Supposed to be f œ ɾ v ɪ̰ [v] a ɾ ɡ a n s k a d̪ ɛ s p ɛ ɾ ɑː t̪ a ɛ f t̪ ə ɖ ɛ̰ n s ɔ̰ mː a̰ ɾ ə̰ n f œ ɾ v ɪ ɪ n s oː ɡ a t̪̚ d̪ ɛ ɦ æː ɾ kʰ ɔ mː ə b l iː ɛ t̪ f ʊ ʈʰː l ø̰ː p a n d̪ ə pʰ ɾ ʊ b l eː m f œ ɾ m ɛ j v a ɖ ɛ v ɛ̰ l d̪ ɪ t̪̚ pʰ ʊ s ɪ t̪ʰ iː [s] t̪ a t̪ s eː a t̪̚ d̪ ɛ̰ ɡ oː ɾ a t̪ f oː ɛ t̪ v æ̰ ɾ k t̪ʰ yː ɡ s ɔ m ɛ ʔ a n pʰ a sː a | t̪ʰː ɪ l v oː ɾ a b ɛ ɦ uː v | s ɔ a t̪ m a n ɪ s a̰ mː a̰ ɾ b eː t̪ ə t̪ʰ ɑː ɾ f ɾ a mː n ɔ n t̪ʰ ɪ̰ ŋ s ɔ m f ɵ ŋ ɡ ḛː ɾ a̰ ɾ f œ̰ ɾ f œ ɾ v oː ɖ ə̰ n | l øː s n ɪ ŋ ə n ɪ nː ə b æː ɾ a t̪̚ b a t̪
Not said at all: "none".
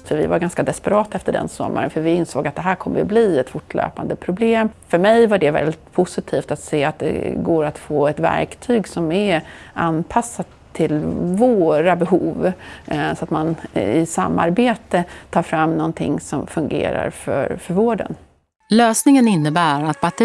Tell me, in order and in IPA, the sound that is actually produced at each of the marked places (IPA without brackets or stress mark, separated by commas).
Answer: v, f